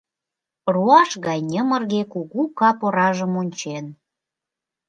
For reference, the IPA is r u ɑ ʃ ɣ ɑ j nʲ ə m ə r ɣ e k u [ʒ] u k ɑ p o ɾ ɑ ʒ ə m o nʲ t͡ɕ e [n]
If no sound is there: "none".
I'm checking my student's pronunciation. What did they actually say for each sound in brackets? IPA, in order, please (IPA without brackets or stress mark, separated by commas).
ɣ, n